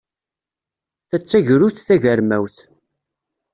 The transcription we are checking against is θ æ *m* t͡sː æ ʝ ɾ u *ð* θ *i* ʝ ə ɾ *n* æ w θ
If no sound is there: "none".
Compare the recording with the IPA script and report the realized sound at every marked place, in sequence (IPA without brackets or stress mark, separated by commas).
none, θ, æ, m